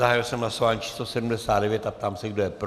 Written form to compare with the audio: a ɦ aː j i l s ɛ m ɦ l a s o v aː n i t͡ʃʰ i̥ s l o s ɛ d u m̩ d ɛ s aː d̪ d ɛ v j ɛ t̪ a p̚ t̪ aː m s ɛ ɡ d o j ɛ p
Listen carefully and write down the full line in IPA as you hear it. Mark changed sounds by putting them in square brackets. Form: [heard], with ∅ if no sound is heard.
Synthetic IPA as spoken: a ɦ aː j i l s ɛ m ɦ l a s o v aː [ɲ] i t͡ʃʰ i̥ s l o s ɛ d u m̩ d ɛ s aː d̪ d ɛ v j ɛ t̪ a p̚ t̪ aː m s ɛ ɡ d o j ɛ p